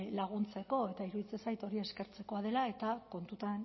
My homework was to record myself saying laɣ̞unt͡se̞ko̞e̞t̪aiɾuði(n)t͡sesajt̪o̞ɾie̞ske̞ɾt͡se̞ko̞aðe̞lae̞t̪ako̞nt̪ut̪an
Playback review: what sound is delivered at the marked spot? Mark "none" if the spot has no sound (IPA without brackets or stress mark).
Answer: none